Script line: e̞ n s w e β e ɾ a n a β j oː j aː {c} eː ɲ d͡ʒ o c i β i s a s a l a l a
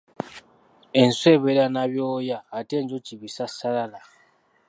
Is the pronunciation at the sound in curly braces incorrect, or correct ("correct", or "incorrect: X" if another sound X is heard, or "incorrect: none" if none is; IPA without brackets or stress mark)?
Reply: incorrect: t